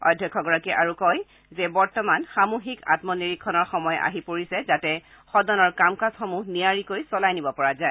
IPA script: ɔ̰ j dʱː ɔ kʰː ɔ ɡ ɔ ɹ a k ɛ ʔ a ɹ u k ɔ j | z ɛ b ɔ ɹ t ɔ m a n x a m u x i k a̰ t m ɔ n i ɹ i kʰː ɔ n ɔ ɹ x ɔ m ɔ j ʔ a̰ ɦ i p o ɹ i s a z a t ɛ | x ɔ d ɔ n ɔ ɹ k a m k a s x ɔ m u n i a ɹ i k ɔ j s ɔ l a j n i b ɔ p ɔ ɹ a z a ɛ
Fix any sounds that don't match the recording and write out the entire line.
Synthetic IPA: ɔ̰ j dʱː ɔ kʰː ɔ ɡ ɔ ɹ a k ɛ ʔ a ɹ u k ɔ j | z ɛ b ɔ ɹ t ɔ m a n x a m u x i k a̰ t m ɔ n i ɹ i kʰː ɔ n ɔ ɹ x ɔ m ɔ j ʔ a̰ ɦ i p o ɹ i s ɛ z a t ɛ | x ɔ d ɔ n ɔ ɹ k a m k a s x ɔ m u n i a ɹ i k o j s ɔ l a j n i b ɔ p ɔ ɹ a z a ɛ